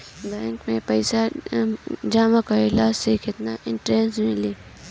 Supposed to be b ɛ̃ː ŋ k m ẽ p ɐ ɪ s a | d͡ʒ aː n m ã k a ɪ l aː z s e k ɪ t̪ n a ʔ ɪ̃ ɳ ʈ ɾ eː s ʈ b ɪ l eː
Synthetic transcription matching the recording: b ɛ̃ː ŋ k m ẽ p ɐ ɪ s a | d͡ʒ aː m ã k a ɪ l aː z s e k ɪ t̪ n a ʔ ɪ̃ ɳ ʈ ɾ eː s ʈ m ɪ l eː